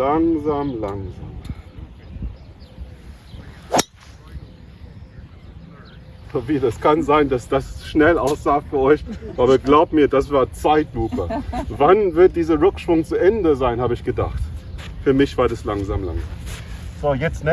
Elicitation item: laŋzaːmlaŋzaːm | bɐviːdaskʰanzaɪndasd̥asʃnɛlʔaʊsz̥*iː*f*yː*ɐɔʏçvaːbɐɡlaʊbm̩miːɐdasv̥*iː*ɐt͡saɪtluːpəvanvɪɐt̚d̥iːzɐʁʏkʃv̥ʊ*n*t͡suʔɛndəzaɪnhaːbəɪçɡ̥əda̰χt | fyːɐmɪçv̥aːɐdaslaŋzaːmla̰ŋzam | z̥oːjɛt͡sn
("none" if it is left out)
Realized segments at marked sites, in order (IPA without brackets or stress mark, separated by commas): aː, yː, aː, ŋ